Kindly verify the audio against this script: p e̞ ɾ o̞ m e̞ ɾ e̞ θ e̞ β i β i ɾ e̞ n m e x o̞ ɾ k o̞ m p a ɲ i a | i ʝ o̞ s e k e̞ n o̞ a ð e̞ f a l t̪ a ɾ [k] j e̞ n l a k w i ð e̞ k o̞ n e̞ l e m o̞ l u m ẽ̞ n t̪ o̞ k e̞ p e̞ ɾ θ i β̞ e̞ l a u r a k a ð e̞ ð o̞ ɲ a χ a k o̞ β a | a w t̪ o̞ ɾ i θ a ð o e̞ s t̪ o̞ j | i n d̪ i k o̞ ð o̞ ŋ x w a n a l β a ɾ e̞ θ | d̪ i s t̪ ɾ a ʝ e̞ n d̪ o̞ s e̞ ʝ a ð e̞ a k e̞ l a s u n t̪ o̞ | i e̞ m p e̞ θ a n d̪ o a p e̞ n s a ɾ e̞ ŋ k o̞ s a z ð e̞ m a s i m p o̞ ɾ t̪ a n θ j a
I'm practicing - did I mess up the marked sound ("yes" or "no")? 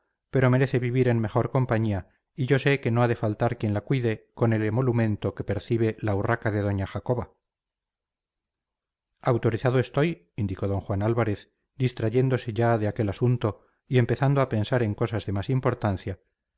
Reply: no